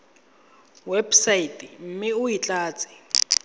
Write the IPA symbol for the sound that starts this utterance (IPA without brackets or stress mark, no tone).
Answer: w